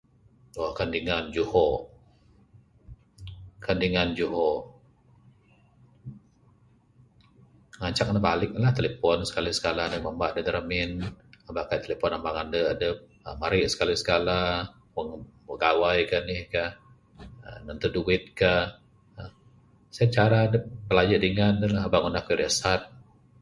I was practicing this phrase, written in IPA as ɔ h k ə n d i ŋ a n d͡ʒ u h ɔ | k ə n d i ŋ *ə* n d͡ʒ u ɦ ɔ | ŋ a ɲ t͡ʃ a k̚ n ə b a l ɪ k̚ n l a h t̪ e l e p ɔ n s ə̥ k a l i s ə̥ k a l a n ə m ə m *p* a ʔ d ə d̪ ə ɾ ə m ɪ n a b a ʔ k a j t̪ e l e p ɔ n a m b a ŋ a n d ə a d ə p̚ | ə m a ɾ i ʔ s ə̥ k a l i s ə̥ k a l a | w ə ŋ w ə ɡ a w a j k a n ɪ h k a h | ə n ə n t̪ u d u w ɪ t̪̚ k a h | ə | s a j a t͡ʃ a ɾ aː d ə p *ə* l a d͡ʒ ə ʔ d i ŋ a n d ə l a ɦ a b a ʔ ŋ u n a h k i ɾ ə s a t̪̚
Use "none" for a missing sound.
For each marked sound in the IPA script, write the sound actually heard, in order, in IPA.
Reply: a, b, ə

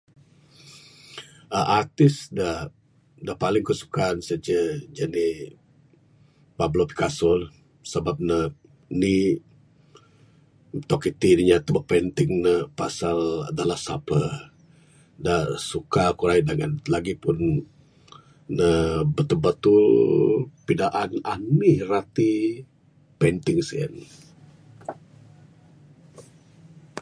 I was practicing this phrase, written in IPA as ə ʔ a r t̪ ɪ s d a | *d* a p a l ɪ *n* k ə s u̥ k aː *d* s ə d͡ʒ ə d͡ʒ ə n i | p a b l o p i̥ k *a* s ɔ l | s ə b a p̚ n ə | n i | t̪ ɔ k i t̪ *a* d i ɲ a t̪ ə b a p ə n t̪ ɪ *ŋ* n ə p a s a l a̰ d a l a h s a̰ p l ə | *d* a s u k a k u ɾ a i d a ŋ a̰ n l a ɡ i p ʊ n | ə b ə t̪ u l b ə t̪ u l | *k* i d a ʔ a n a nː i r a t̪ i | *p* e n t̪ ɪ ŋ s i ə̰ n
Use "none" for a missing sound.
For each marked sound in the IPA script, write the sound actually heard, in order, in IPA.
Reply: d, ŋ, n, a, i, ŋ, d, p, p

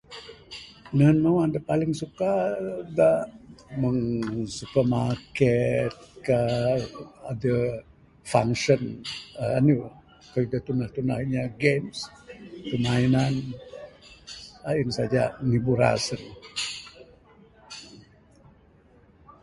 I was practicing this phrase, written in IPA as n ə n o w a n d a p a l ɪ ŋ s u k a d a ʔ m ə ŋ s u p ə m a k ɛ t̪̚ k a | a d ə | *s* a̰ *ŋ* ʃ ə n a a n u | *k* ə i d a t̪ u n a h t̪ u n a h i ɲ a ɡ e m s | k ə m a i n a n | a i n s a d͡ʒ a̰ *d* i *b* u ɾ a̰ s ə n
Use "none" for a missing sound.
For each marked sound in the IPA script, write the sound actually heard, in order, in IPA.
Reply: f, ŋ, k, n, b

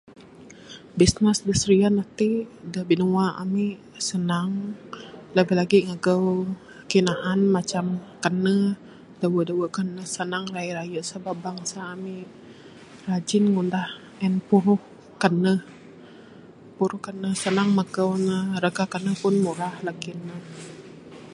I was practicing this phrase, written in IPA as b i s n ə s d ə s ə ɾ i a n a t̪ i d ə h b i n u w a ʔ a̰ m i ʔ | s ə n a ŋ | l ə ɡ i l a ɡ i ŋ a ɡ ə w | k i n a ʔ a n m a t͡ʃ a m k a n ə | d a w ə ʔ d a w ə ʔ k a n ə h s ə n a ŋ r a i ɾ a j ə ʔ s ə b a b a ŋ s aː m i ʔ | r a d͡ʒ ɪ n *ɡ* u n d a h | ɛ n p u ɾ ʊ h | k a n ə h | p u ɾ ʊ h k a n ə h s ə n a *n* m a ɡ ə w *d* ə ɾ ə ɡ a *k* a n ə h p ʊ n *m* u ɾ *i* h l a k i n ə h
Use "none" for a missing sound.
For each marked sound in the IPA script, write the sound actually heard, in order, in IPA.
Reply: ŋ, ŋ, n, k, m, a

